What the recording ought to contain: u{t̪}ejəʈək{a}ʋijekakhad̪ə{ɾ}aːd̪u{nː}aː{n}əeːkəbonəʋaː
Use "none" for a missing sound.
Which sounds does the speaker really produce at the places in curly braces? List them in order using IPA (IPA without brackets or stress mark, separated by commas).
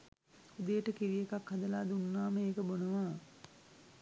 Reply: d̪, i, l, nː, m